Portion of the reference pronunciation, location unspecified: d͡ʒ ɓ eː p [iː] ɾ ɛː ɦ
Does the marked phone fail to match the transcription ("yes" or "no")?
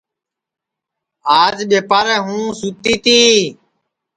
yes